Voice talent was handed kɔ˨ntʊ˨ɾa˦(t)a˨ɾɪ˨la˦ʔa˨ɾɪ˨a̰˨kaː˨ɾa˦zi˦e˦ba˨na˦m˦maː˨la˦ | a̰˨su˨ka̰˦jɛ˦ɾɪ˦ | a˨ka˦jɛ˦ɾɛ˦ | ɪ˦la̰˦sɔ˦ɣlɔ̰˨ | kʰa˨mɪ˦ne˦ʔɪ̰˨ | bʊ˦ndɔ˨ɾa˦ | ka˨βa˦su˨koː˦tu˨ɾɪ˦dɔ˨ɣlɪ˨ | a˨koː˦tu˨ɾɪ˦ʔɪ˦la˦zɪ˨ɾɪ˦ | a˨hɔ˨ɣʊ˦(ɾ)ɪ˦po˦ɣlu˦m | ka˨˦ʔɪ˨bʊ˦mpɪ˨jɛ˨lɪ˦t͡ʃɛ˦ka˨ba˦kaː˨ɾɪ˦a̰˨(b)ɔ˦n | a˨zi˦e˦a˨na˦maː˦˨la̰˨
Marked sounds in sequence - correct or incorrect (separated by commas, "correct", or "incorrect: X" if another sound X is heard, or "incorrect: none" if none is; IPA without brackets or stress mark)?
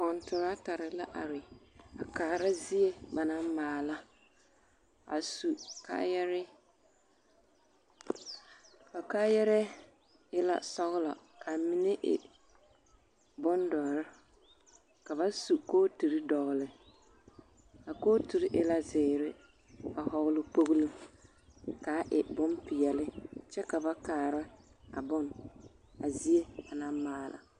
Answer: correct, incorrect: l, correct